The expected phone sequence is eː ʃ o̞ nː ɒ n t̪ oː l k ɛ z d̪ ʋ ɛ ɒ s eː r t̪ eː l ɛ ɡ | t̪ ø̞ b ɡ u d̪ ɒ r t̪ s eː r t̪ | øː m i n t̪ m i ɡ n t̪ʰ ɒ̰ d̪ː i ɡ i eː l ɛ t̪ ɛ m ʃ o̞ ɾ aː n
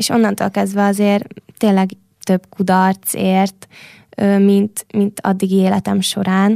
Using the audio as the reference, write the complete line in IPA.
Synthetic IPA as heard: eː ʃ o̞ nː ɒ n t̪ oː l k ɛ z d̪ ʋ ɛ ɒ z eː r t̪ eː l ɛ ɡ | t̪ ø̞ b k u d̪ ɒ r t̪ s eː r t̪ | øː m i n t̪ m i n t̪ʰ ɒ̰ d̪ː i ɡ i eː l ɛ t̪ ɛ m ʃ o̞ ɾ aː n